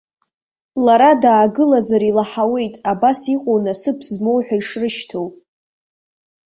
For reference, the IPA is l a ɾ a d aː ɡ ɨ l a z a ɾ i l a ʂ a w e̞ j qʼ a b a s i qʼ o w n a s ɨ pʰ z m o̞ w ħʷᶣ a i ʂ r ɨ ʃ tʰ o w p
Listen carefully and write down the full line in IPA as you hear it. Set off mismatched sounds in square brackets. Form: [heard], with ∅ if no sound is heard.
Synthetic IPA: l a ɾ a d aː ɡ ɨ l a z a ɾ i l a [ħ] a w e̞ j [tʼ] a b a s i qʼ o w n a s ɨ pʰ z m o̞ w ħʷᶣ a i ʂ r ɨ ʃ tʰ o w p